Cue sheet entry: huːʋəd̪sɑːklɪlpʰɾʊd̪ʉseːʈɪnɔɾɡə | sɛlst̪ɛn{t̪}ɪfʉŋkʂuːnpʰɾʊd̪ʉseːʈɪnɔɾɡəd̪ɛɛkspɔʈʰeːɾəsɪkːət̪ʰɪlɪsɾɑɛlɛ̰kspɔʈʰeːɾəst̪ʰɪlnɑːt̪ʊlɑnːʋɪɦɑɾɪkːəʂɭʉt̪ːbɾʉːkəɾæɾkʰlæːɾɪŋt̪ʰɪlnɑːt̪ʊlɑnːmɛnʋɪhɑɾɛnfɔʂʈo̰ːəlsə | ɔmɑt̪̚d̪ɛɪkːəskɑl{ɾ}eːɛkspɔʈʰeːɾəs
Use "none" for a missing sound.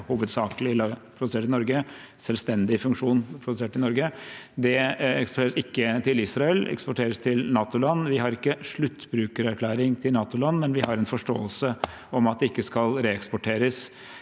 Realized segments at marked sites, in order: d̪, ɾ

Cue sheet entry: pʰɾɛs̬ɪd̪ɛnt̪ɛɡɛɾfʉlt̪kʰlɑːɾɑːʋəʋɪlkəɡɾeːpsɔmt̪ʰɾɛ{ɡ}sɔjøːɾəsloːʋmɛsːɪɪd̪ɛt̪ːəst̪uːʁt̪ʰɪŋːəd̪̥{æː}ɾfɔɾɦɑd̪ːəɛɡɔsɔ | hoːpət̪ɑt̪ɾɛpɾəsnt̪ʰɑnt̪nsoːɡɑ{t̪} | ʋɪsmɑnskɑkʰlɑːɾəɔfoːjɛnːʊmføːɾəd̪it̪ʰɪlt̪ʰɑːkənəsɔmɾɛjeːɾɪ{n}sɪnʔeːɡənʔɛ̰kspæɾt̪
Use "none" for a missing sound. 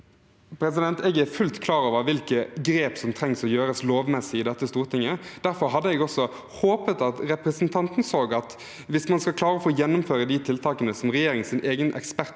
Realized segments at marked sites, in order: ŋ, æ, t̪, ŋ

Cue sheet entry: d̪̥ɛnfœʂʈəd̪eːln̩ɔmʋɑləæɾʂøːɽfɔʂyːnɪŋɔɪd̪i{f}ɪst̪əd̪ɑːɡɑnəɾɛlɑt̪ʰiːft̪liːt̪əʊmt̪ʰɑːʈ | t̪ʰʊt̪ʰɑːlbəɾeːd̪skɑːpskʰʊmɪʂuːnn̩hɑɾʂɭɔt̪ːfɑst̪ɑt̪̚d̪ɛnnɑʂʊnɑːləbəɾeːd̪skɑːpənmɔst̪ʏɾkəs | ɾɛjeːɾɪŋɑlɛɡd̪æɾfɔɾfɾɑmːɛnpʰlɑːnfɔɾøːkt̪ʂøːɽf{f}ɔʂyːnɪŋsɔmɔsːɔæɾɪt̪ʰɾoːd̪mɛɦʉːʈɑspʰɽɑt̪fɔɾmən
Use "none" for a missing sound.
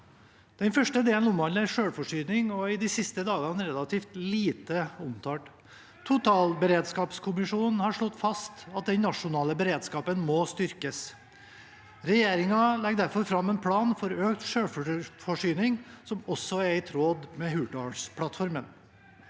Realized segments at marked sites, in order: s, f

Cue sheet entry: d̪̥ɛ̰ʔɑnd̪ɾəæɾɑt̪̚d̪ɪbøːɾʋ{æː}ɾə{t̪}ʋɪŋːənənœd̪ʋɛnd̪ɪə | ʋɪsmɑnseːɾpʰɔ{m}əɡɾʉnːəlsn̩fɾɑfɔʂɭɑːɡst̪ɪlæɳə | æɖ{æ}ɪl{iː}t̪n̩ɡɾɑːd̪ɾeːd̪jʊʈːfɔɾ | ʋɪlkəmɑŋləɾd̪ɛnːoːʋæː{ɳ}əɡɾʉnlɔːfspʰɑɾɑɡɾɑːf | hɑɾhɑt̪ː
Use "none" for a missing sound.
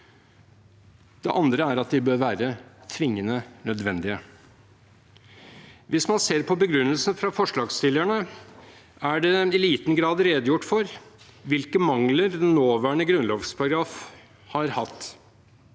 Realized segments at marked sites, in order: æː, t̪ʰ, b, ɛ, iː, ɳ

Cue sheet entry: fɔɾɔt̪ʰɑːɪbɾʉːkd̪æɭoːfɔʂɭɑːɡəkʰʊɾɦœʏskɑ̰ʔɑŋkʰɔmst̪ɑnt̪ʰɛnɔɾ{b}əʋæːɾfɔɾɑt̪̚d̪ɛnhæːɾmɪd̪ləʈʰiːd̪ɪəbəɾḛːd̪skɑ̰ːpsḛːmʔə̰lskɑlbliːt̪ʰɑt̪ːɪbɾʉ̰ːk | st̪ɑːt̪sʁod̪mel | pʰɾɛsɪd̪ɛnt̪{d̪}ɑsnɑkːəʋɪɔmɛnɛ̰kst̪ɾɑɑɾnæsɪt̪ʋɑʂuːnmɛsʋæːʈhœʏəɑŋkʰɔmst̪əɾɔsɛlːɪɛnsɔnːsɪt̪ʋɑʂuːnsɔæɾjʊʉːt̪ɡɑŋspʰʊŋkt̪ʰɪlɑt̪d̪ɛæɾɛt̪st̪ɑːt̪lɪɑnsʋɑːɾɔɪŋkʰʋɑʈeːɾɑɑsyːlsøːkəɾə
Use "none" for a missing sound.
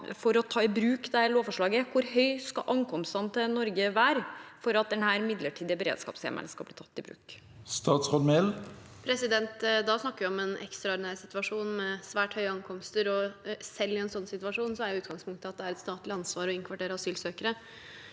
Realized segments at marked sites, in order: ɡ, d̪

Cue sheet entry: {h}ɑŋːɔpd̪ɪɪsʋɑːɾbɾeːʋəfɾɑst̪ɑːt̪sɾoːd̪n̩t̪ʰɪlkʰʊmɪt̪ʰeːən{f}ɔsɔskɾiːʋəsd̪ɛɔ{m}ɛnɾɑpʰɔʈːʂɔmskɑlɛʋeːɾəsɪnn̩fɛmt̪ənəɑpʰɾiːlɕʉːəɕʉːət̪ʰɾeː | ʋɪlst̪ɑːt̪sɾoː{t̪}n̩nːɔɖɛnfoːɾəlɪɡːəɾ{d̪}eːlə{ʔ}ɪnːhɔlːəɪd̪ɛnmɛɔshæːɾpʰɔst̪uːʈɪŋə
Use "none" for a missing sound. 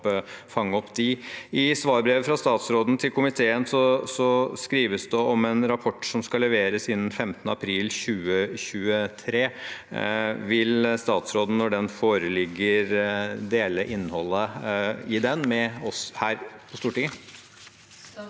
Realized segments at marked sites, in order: f, s, m, d̪, d̪, ʔ

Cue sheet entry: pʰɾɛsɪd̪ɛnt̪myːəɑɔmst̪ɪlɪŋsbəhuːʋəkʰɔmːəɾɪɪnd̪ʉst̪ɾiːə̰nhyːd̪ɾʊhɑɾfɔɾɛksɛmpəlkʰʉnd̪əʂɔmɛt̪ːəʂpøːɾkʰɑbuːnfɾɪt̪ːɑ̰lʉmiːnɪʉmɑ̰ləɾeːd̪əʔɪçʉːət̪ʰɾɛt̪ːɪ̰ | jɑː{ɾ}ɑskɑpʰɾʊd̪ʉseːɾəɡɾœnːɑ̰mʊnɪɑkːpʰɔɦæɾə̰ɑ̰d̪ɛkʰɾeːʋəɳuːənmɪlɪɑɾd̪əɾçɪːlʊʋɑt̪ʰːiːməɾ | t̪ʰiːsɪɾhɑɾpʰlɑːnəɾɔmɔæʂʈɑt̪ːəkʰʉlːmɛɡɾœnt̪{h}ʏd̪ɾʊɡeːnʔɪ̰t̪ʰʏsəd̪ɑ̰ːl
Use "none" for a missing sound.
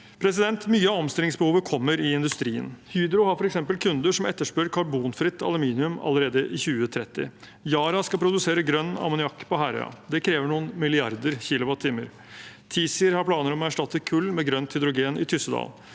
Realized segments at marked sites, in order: ɾ, h

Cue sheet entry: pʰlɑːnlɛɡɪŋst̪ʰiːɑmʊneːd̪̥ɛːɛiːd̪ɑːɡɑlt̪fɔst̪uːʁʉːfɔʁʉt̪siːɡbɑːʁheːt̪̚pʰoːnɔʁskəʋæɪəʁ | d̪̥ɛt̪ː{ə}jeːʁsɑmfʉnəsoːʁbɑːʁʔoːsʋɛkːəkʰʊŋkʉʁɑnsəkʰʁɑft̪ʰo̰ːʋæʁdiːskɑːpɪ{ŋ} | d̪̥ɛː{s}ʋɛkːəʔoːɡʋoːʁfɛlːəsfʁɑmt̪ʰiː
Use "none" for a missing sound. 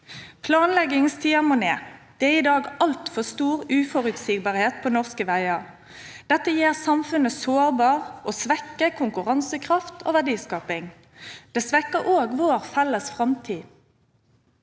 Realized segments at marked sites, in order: ə, ŋ, s

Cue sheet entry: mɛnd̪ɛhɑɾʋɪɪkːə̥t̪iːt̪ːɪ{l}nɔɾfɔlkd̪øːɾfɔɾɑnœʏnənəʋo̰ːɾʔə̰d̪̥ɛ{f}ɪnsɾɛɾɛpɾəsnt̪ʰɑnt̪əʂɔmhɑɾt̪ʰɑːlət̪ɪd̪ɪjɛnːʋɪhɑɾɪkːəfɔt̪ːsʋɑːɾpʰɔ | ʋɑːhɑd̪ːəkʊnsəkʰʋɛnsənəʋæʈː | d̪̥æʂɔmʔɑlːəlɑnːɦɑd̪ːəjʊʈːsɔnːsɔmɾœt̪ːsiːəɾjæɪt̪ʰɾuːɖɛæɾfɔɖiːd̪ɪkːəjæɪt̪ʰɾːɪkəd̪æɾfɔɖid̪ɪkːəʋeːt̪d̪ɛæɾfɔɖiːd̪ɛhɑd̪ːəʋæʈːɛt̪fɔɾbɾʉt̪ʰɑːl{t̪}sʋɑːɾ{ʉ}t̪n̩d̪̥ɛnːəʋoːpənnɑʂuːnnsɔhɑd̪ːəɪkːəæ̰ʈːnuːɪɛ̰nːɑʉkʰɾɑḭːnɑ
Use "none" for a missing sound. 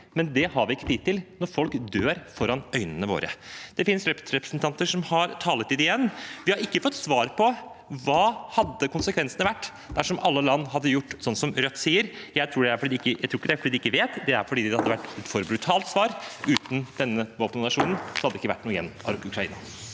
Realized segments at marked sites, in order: l, f, t̪, ʉː

